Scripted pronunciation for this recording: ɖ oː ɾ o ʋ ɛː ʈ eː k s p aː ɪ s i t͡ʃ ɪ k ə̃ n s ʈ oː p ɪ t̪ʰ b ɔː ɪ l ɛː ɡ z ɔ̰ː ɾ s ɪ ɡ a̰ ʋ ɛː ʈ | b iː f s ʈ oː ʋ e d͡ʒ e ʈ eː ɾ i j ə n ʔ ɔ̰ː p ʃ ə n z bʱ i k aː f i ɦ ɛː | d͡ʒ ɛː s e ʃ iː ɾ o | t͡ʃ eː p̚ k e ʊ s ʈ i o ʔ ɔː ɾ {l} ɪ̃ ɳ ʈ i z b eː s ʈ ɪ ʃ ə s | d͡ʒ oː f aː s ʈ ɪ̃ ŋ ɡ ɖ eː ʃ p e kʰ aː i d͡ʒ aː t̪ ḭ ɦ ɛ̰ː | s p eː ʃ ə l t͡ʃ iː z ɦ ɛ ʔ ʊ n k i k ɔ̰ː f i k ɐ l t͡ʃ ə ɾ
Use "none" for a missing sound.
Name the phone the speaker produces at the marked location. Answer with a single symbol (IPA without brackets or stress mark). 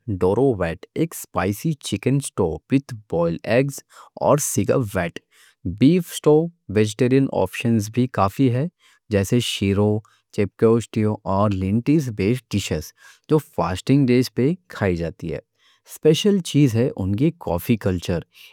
l